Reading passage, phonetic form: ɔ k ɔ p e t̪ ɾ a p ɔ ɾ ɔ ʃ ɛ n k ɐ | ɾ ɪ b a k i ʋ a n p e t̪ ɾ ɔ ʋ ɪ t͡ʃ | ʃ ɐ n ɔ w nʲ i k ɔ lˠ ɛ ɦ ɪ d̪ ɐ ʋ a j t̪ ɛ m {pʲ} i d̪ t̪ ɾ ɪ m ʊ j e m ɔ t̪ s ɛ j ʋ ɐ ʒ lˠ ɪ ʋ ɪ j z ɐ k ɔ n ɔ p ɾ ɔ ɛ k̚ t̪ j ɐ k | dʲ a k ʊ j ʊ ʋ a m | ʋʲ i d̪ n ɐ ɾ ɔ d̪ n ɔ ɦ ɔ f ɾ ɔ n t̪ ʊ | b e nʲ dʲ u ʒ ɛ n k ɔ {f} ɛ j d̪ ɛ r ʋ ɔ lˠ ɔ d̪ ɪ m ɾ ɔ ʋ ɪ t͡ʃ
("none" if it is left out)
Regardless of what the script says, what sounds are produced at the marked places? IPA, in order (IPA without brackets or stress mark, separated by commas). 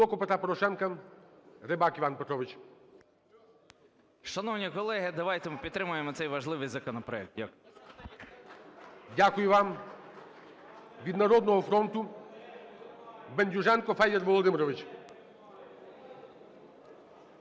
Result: pʲ, f